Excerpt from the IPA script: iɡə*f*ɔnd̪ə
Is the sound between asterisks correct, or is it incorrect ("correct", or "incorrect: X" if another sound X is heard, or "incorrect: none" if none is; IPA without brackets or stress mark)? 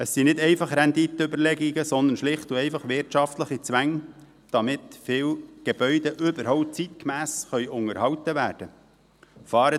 incorrect: s